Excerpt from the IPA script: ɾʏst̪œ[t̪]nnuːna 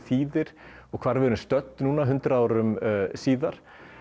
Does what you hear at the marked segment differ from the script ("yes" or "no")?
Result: no